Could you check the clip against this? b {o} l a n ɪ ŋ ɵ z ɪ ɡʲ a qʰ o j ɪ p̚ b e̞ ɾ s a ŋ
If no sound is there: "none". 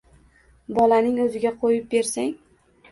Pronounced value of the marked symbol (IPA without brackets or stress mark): ɒ